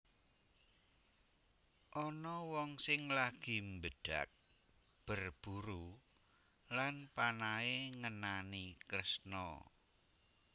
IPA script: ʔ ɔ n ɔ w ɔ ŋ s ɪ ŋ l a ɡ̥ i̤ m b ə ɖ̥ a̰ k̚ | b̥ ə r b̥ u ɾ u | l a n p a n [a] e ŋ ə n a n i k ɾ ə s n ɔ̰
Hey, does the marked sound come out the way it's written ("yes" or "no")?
yes